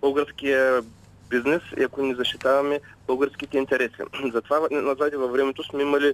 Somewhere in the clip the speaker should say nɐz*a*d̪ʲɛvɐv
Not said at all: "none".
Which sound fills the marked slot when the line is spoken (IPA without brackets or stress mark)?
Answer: a